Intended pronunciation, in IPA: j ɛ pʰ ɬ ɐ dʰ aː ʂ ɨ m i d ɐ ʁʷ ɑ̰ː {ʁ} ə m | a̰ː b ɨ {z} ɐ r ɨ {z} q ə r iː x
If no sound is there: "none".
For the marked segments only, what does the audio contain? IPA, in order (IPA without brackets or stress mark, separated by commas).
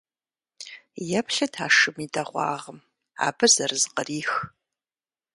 ʁ, z, z